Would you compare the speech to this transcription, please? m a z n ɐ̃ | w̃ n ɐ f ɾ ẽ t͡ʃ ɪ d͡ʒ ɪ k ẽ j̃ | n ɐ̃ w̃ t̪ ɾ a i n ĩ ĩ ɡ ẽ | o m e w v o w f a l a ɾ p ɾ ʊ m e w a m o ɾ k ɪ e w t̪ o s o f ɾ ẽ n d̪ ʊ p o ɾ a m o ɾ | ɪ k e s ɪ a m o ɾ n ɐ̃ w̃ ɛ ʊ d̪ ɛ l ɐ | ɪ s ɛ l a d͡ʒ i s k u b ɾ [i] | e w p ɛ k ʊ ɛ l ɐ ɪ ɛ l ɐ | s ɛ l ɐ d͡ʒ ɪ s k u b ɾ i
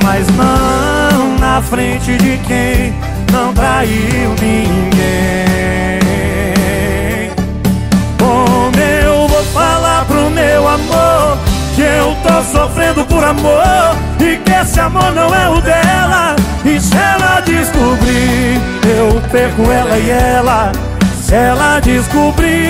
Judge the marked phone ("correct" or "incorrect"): correct